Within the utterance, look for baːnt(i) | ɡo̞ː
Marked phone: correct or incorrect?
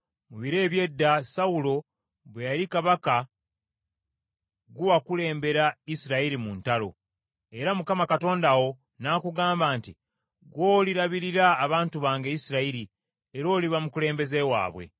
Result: correct